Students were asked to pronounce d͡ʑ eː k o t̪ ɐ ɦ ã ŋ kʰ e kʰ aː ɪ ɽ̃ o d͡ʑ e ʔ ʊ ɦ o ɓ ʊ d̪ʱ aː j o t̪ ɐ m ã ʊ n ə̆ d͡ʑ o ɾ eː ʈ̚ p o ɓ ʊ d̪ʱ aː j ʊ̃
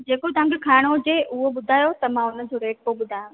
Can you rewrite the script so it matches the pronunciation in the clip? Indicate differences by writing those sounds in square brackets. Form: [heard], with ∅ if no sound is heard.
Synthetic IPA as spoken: d͡ʑ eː k o t̪ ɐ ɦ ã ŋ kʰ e kʰ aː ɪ ɽ̃ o d͡ʑ e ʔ ʊ ɦ o ɓ ʊ d̪ʱ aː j o t̪ ɐ m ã ʊ n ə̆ d͡ʑ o ɾ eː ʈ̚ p o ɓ ʊ d̪ʱ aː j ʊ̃